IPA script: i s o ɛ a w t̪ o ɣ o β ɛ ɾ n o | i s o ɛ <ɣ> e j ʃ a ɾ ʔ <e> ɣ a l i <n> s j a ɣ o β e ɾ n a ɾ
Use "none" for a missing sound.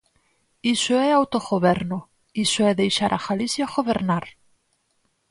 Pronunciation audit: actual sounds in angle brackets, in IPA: ð, a, none

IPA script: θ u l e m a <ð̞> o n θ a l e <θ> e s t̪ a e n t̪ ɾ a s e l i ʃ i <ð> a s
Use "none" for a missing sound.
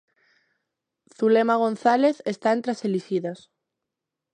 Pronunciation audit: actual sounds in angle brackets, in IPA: ɣ̞, θ, ð

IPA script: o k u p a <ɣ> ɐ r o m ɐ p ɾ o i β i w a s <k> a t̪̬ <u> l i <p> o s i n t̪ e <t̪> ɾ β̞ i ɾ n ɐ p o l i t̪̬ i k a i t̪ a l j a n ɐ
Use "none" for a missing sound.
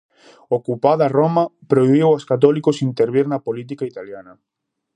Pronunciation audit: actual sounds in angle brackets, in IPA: ð, k, ɔ, k, none

